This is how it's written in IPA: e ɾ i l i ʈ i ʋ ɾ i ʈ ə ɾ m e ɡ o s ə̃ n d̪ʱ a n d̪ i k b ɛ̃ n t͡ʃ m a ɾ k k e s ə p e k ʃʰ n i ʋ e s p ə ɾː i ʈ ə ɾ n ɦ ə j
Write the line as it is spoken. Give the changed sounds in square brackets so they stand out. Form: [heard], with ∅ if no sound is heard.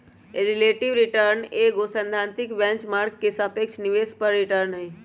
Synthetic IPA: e ɾ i l [e] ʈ i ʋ ɾ i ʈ ə ɾ [n] e ɡ o s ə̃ n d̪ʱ a n [t̪] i k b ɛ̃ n t͡ʃ m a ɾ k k e s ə p e k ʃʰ n i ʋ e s p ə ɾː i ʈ ə ɾ n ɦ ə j